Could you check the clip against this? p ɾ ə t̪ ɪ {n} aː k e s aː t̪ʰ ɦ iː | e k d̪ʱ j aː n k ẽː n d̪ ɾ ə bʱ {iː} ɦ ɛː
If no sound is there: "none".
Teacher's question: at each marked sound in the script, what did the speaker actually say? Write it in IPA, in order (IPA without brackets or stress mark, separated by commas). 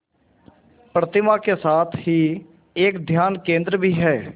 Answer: m, iː